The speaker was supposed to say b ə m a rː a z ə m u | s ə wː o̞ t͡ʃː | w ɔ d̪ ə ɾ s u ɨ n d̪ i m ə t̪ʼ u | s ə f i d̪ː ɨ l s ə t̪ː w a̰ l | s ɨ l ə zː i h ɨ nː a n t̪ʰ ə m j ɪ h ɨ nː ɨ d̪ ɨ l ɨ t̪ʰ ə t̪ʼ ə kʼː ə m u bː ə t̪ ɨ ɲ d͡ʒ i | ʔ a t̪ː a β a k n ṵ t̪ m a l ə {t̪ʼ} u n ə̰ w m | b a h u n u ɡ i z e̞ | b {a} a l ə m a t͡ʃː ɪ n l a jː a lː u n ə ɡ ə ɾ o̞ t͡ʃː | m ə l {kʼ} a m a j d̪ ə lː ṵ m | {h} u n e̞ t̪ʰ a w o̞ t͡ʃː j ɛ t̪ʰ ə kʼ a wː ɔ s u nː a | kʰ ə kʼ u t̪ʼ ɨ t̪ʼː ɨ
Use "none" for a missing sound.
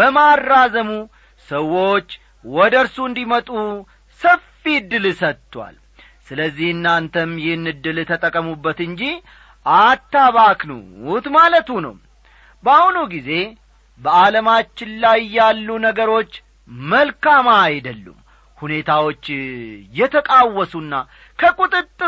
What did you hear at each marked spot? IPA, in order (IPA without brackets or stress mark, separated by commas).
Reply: t̪, ə, k, h